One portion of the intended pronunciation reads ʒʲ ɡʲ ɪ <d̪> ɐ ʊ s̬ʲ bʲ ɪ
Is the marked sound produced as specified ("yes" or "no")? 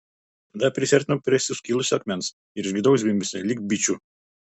yes